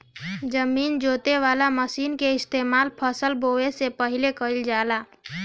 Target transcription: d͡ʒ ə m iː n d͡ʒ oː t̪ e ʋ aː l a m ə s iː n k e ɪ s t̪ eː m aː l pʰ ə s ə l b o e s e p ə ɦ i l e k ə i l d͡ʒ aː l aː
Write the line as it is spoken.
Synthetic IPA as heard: d͡ʒ ə m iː n d͡ʒ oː t̪ e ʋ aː l a m ə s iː n k e ɪ s t̪ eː m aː l pʰ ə s ə l b o e s e p ə ɦ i l e k ə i l d͡ʒ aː l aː